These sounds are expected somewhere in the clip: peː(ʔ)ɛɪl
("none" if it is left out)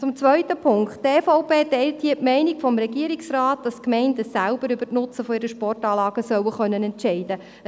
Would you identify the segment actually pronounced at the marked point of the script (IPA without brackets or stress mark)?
t